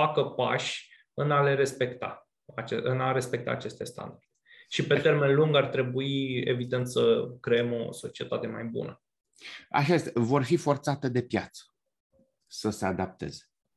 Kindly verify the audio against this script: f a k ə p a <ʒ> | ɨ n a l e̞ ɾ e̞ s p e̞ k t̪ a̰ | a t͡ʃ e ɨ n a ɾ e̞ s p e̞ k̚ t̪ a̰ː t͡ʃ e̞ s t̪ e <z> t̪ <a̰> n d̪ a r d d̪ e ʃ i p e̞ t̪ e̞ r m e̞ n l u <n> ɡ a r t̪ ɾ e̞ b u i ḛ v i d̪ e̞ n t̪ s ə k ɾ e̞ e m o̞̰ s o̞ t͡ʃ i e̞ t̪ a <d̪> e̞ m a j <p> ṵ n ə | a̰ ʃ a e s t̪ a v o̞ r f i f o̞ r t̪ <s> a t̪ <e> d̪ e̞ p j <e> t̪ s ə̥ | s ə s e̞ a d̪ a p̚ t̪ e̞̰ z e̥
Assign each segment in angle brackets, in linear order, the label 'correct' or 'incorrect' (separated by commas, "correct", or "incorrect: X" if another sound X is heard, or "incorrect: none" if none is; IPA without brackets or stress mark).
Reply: incorrect: ʃ, incorrect: s, correct, incorrect: ŋ, incorrect: t̪, incorrect: b, correct, correct, incorrect: a